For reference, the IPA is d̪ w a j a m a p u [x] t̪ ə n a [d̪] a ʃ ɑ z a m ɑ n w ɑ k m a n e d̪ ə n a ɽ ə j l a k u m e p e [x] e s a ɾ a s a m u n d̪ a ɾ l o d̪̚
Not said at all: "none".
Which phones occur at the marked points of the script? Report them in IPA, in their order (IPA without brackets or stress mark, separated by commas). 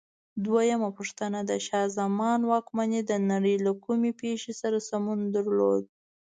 ʂ, d̪, ʃ